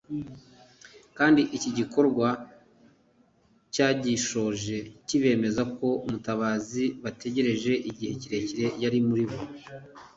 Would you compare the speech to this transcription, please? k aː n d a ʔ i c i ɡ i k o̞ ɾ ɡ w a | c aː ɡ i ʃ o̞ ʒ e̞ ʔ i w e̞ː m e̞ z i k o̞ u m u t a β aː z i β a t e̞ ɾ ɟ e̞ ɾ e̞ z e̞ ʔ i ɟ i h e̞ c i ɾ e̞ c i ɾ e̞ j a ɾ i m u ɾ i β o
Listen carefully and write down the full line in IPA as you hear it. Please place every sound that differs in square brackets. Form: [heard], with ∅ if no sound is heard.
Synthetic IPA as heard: k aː n d [i] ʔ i c i [ɟ] i k o̞ ɾ ɡ w a | c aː [ɟ] i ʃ o̞ ʒ e̞ [c] i [β] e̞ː m e̞ z [a] k o̞ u m u t a β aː z i β a t e̞ [∅] ɟ e̞ ɾ e̞ [ʒ] e̞ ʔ i ɟ i h e̞ c i ɾ e̞ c i ɾ e̞ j a ɾ i m u ɾ i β o